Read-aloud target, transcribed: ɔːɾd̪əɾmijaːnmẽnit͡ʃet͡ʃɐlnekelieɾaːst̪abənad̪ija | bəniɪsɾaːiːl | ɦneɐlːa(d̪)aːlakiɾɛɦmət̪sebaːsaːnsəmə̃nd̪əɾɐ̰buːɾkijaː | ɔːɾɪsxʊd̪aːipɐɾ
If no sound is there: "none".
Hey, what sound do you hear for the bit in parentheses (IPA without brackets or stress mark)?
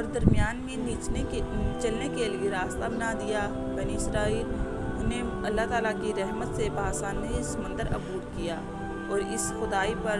t̪